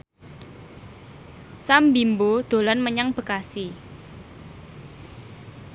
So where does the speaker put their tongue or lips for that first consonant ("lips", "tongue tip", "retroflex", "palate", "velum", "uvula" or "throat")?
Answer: tongue tip